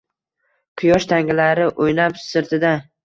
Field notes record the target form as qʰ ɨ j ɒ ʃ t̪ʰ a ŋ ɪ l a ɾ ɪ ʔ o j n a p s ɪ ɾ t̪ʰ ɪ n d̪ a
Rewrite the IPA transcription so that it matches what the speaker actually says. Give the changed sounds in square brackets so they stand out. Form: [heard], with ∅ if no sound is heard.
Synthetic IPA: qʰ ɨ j ɒ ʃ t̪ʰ a ŋ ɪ l a ɾ ɪ ʔ o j n a p s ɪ ɾ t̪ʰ ɪ [∅] d̪ a

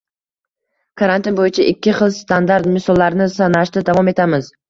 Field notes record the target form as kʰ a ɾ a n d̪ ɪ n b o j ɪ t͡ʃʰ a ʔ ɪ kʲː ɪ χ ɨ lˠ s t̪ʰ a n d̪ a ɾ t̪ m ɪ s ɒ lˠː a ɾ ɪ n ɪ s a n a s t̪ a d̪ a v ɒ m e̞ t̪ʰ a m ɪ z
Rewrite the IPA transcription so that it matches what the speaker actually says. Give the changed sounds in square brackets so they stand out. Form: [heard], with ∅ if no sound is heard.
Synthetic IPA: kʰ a ɾ a n [t̪] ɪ n b o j ɪ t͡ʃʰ a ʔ ɪ kʲː ɪ χ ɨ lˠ s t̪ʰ a n d̪ a ɾ t̪ m ɪ s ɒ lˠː a ɾ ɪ n ɪ s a n a [ʃ] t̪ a d̪ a v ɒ m e̞ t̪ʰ a m ɪ z

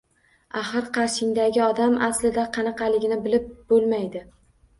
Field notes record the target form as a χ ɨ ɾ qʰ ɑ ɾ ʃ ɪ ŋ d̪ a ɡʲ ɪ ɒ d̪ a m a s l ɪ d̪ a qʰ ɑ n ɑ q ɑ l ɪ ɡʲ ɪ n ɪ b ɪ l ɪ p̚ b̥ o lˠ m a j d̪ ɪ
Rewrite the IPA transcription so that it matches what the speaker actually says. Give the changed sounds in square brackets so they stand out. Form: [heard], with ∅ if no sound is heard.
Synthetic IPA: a χ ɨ ɾ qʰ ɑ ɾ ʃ ɪ ŋ d̪ a ɡʲ ɪ ɒ d̪ a m a s l ɪ d̪ a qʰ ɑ n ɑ q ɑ l ɪ ɡʲ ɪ n ɪ b ɪ l ɪ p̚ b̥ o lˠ m a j d̪ ɪ

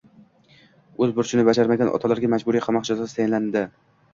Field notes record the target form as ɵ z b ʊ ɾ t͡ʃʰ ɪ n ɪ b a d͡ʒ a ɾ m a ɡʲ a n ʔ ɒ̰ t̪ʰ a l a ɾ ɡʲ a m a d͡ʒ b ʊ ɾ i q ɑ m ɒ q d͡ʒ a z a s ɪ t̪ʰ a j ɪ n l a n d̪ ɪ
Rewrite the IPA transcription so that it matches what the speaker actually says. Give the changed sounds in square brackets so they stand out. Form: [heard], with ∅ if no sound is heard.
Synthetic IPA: ɵ z b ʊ ɾ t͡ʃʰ ɪ n ɪ b a d͡ʒ a ɾ m a ɡʲ a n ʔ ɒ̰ t̪ʰ a l a ɾ ɡʲ a m a d͡ʒ b ʊ ɾ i [qʰ] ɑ m ɒ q d͡ʒ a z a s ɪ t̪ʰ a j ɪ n l a n d̪ ɪ

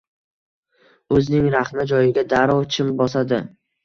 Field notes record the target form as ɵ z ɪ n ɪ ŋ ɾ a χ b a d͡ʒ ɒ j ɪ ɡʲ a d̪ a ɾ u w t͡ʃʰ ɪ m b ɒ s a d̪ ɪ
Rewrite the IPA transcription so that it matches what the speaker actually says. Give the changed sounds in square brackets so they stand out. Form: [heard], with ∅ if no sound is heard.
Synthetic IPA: ɵ z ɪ n ɪ ŋ ɾ a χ [m] a d͡ʒ ɒ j ɪ ɡʲ a d̪ a ɾ [ɒ] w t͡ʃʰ ɪ m b ɒ s a d̪ ɪ

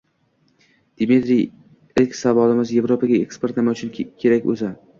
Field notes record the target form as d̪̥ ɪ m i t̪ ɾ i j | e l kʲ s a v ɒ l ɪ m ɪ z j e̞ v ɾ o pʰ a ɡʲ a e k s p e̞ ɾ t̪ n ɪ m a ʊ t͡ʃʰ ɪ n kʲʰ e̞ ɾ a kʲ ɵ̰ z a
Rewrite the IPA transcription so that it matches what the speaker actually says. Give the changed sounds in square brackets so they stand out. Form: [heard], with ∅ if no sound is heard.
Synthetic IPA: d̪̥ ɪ m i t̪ ɾ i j | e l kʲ s a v ɒ l ɪ m ɪ z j e̞ v ɾ o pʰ a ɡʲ a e k s p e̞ ɾ t̪ n ɪ m a ʊ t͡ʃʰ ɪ n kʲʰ e̞ ɾ a kʲ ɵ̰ z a

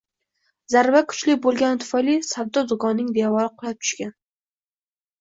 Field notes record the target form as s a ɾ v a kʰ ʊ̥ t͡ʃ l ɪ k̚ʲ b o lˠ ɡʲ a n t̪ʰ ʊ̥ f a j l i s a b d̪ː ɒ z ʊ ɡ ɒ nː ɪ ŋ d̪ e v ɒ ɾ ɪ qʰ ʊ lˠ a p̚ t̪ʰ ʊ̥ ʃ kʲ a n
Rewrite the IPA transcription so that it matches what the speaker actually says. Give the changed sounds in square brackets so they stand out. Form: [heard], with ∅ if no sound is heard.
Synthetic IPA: [z] a ɾ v a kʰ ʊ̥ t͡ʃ l ɪ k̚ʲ b o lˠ ɡʲ a n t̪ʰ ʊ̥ f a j l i s a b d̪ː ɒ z ʊ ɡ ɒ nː ɪ ŋ d̪ e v ɒ ɾ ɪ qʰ ʊ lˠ a p̚ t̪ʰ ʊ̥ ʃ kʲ a n

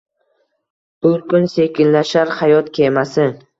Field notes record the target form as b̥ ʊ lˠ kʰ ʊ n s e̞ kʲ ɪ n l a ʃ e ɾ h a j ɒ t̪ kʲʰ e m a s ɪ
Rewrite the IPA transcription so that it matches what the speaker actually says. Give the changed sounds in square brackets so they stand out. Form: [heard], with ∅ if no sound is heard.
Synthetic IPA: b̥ ʊ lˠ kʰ ʊ n s e̞ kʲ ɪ n l a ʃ [a] ɾ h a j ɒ t̪ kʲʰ e m a s ɪ

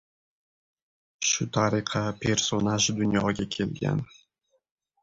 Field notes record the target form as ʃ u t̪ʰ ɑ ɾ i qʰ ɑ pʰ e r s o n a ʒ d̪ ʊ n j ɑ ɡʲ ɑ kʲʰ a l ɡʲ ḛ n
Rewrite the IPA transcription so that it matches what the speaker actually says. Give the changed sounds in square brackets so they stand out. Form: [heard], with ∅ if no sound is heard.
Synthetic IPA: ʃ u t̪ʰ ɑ ɾ i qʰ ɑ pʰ e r s o n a ʒ d̪ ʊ n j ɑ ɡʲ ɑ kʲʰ [e] l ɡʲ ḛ n

